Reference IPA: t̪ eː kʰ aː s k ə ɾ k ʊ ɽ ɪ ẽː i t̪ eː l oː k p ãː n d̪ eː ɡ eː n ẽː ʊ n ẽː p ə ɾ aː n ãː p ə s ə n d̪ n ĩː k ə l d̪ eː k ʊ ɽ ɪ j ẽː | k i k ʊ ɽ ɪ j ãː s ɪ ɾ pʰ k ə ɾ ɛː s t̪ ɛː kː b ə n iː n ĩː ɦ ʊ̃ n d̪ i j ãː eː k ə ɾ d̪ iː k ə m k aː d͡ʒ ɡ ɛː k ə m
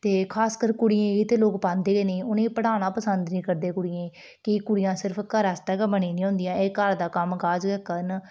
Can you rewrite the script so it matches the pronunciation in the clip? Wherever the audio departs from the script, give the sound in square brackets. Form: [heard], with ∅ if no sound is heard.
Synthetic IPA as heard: t̪ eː kʰ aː s k ə ɾ k ʊ ɽ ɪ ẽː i t̪ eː l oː k p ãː n d̪ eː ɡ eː n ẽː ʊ n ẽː p ə [ɽ] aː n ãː p ə s ə n d̪ n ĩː k ə [ɾ] d̪ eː k ʊ ɽ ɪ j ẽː | k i k ʊ ɽ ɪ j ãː s ɪ ɾ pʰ k ə ɾ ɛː s t̪ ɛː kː b ə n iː n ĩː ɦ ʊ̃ n d̪ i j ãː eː k ə ɾ d̪ [aː] k ə m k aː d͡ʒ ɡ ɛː k ə [n]